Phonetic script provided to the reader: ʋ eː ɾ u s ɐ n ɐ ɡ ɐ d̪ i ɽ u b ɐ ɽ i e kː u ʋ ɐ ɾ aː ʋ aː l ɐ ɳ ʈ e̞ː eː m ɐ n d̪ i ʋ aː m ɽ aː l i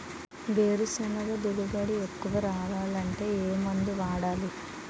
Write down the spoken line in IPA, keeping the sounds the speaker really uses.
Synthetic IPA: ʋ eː ɾ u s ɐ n ɐ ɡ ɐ d̪ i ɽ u b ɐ ɽ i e kː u ʋ ɐ ɾ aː ʋ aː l ɐ ɳ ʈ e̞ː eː m ɐ n d̪ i ʋ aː ɽ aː l i

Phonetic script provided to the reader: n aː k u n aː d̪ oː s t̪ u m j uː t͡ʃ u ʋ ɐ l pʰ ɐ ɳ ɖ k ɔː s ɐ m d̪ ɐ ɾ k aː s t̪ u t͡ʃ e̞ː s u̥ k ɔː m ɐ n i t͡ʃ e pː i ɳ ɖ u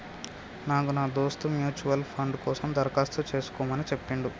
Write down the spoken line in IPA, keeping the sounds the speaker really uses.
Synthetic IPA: n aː k u n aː d̪ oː s t̪ u m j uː t͡ʃ u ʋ ɐ l pʰ ɐ ɳ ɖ k ɔː s ɐ m d̪ ɐ ɾ k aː s t̪ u t͡ʃ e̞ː s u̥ k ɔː m ɐ n i t͡ʃ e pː i ɳ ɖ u

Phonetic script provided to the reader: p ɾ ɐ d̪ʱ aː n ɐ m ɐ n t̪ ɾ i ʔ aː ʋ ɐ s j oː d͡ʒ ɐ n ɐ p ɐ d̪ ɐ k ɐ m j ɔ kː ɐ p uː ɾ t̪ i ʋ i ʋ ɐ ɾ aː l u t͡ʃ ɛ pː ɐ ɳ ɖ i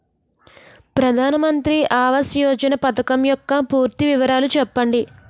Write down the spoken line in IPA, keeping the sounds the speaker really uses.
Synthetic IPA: p ɾ ɐ d̪ʱ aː n ɐ m ɐ n t̪ ɾ i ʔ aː ʋ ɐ s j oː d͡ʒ ɐ n ɐ p ɐ t̪ ɐ k ɐ m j ɔ kː ɐ p uː ɾ t̪ i ʋ i ʋ ɐ ɾ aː l u t͡ʃ ɛ pː ɐ ɳ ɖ i

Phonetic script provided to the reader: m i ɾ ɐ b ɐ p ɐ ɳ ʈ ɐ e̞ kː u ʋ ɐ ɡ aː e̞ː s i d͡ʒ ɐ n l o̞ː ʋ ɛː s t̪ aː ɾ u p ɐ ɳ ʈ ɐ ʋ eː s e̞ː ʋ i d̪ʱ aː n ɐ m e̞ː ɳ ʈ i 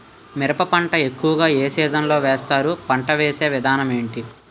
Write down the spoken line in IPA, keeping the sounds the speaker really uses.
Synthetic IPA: m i ɾ ɐ p ɐ p ɐ ɳ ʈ ɐ e̞ kː u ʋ ɐ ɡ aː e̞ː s iː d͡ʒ ɐ n l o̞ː ʋ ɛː s t̪ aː ɾ u p ɐ ɳ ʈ ɐ ʋ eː s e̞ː ʋ i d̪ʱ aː n ɐ m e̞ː ɳ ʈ i

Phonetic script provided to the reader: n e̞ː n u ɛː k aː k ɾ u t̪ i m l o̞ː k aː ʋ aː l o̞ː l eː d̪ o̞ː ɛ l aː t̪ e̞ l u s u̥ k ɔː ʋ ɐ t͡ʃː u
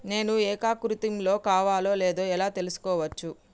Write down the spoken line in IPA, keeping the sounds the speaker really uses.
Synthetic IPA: n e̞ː n u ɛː k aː k ɾ u t̪ i m l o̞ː k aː ʋ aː l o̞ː l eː d̪ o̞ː ɛ l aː t̪ e̞ l u s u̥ k ɔː ʋ ɐ t͡ʃː u

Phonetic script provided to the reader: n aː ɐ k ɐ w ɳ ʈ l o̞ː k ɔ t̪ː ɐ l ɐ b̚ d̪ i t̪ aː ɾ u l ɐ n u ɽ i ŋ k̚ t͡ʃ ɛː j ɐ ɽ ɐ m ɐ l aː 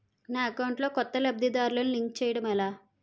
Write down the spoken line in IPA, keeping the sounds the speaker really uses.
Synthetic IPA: n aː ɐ k ɐ w ɳ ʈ l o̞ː k ɔ t̪ː ɐ l ɐ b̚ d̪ i d̪ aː ɾ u l ɐ n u l i ŋ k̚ t͡ʃ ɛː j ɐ ɽ ɐ m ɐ l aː

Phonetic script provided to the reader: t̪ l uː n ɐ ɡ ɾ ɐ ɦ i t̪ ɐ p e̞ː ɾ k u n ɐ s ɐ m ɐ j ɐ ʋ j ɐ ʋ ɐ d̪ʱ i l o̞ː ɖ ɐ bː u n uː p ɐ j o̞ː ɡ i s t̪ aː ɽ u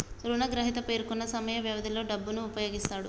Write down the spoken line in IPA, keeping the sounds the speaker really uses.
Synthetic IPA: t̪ ɾ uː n ɐ ɡ ɾ ɐ ɦ i t̪ ɐ p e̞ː ɾ k u nː ɐ s ɐ m ɐ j ɐ ʋ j ɐ ʋ ɐ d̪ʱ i l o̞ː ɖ ɐ bː u n uː p ɐ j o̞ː ɡ i s t̪ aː ɽ u

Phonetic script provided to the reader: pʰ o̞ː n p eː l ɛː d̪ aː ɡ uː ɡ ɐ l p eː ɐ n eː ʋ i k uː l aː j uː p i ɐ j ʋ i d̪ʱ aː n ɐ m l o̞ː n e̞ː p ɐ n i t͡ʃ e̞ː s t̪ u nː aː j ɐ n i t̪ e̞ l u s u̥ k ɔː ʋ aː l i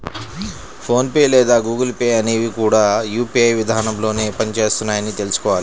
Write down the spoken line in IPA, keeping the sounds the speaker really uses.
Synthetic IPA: pʰ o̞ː n p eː l ɛː d̪ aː ɡ uː ɡ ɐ l p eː ɐ n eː ʋ i k uː ɽ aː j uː p i ɐ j ʋ i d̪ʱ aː n ɐ m l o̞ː n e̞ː p ɐ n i t͡ʃ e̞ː s t̪ u nː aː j ɐ n i t̪ e̞ l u s u̥ k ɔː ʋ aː l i

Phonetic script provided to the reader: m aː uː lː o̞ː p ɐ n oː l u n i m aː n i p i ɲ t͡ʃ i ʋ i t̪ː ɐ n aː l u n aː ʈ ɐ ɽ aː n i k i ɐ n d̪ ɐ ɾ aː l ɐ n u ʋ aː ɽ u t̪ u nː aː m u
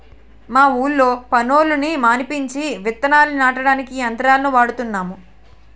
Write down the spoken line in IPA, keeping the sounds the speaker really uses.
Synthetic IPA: m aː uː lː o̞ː p ɐ n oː l u n i m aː n i p i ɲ t͡ʃ i ʋ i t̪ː ɐ n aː l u n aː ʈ ɐ ɽ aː n i k i ɐ n t̪ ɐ ɾ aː l ɐ n u ʋ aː ɽ u t̪ u nː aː m u

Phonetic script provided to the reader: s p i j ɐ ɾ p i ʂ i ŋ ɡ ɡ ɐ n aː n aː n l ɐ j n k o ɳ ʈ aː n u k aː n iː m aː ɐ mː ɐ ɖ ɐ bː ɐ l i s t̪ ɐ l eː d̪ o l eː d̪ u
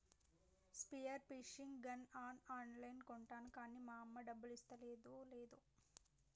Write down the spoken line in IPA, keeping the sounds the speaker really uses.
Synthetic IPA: s p i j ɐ ɾ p i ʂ i ŋ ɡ ɡ ɐ n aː n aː n l ɐ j n k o ɳ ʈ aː n u k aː n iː m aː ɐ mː ɐ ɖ ɐ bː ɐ l i s t̪ ɐ l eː d̪ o l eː d̪ u

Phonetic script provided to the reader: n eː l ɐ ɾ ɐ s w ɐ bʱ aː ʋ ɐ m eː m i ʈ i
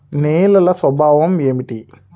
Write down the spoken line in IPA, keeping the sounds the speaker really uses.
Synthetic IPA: n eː l ɐ l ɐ s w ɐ bʱ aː ʋ ɐ m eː m i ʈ i

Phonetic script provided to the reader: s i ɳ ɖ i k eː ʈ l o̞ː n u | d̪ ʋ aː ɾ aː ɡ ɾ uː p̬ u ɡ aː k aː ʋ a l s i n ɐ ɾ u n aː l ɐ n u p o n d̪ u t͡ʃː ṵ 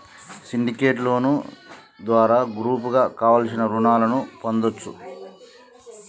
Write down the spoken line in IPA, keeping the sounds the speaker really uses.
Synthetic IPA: s i ɳ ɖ i k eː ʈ l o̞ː n u | d̪ ʋ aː ɾ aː ɡ ɾ uː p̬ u ɡ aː k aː ʋ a l s i n ɐ ɾ u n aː l ɐ n u p o n d̪ o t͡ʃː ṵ

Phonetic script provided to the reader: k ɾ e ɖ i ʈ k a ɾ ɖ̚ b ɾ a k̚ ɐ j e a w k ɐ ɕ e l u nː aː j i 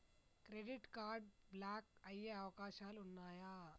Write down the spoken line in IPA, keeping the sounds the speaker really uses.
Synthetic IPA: k ɾ e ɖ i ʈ k a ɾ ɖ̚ b l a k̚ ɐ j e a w k a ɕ a l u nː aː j a

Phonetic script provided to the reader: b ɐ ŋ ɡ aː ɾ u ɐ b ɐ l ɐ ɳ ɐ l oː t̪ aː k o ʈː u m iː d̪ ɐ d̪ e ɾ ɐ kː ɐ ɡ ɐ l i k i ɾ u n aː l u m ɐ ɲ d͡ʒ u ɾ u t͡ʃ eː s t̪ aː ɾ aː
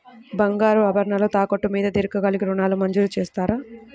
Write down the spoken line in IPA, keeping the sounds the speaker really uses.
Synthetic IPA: b ɐ ŋ ɡ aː ɾ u ɐ b ɐ ɾ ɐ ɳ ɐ l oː t̪ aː k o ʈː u m iː d̪ ɐ d̪ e ɾ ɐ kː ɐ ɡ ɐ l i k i ɾ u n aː l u m ɐ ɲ d͡ʒ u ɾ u t͡ʃ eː s t̪ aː ɾ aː

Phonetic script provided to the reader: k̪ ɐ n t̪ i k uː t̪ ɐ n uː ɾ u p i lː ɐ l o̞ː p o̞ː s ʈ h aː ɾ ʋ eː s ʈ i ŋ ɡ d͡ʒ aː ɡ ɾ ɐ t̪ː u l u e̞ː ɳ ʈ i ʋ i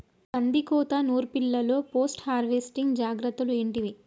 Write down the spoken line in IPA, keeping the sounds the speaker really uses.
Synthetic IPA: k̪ ɐ n d̪ i k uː t̪ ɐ n uː ɾ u p i lː ɐ l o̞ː p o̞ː s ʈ h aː ɾ ʋ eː s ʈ i ŋ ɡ d͡ʒ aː ɡ ɾ ɐ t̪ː u l u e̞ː ɳ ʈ i ʋ i

